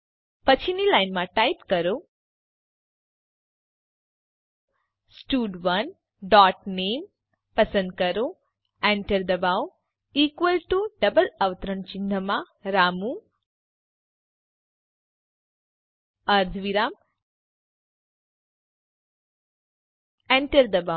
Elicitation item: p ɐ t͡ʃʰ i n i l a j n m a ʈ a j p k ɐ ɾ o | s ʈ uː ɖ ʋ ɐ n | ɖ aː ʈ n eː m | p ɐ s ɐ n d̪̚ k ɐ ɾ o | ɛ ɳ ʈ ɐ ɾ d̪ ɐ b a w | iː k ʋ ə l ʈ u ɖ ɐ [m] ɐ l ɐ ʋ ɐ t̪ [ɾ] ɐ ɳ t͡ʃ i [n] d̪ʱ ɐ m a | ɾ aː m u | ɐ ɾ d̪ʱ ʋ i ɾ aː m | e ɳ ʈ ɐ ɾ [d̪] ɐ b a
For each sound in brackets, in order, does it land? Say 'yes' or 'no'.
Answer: no, yes, yes, yes

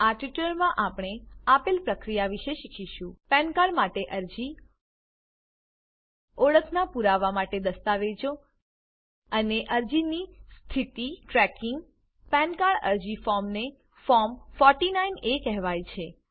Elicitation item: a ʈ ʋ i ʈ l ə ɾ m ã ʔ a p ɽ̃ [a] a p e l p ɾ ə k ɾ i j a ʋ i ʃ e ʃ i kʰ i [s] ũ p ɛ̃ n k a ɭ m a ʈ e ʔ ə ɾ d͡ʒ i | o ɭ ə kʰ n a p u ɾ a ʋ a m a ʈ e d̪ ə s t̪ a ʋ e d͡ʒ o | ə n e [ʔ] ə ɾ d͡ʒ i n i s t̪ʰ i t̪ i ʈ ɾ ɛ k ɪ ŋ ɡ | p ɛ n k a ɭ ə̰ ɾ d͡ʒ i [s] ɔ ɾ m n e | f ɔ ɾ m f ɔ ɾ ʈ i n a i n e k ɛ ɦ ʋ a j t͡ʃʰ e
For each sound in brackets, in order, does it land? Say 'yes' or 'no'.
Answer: no, no, yes, no

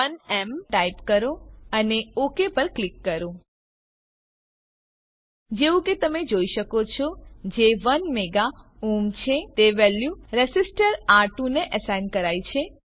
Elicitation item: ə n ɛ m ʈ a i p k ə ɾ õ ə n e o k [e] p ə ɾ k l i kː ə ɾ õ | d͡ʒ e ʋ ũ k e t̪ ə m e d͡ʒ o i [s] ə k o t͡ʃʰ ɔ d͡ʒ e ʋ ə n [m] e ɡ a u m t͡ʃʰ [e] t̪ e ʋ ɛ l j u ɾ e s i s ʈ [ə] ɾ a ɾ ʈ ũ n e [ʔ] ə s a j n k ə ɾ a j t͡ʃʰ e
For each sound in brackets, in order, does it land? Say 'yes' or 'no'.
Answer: yes, no, yes, yes, yes, yes

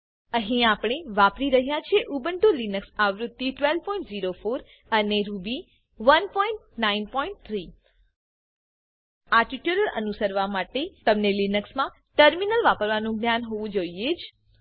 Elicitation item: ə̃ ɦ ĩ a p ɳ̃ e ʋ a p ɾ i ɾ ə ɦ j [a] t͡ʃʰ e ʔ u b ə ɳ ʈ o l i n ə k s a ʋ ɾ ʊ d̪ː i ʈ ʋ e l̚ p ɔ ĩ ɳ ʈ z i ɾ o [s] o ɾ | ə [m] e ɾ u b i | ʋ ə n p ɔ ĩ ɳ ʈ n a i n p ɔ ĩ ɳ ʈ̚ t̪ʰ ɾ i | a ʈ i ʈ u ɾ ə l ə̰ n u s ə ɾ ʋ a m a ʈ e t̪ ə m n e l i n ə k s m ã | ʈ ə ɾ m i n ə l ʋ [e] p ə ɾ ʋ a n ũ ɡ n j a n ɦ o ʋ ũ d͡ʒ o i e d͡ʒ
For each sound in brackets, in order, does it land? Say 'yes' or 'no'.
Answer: yes, no, no, no

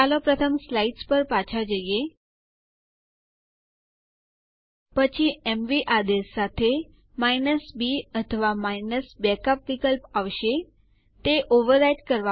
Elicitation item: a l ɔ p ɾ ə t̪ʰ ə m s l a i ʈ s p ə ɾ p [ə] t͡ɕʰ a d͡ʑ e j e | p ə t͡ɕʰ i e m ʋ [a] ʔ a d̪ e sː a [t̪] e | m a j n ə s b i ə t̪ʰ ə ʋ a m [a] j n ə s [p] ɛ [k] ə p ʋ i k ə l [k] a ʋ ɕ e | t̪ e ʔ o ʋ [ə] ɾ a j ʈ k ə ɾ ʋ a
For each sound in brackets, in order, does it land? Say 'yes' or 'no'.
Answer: no, no, no, yes, no, yes, no, yes

